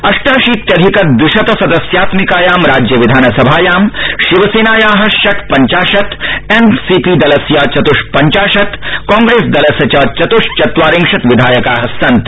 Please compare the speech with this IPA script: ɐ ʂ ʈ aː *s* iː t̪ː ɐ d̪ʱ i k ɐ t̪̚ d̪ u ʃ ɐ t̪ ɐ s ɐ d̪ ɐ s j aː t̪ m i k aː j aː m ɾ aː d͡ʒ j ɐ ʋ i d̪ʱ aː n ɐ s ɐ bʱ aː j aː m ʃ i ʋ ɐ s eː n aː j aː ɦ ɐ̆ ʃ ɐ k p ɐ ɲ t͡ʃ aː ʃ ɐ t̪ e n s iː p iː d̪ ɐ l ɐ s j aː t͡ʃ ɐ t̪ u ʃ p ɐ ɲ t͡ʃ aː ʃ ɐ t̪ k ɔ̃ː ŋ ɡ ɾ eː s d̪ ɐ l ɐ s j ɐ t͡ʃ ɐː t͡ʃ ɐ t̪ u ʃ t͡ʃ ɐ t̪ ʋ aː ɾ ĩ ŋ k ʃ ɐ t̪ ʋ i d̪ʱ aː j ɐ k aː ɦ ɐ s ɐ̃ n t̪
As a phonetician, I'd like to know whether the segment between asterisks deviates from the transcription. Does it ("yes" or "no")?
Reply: yes